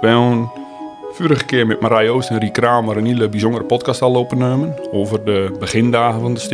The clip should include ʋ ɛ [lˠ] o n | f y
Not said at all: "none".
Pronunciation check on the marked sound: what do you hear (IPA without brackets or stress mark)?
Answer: none